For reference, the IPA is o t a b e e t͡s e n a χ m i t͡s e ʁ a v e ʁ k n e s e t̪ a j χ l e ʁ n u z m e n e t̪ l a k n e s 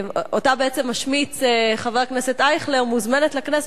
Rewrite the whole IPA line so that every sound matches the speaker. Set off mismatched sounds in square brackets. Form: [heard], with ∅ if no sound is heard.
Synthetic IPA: o t a b e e t͡s e [m] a [ʃ] m i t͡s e [χ] a v e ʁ k n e s e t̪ a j χ l e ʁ [m] u z m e n e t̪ l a k n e s

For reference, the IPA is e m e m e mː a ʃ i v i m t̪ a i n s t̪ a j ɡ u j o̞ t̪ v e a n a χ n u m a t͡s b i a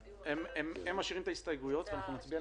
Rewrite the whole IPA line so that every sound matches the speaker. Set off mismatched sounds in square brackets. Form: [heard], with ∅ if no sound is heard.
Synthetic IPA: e m e m e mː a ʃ i [ʁ] i m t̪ a i [∅] s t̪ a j ɡ u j o̞ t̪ v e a n a χ n u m a t͡s b i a

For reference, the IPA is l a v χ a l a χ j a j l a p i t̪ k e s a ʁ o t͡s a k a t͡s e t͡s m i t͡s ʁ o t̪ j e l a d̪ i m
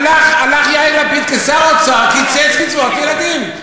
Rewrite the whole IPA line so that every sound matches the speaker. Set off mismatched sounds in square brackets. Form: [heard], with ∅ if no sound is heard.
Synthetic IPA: l a [∅] χ a l a χ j a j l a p i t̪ k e s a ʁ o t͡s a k [i] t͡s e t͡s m i t͡s [v] o t̪ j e l a d̪ i m

